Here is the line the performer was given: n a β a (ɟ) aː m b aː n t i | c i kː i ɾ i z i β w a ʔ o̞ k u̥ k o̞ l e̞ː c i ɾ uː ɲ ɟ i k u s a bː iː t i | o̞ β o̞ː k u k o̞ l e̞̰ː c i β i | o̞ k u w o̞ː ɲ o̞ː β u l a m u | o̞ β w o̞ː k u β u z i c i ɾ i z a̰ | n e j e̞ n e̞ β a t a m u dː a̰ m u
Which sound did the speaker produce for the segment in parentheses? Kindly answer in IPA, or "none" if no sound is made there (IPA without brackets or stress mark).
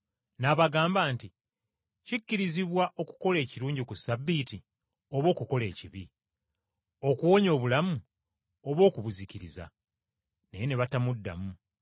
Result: ɡ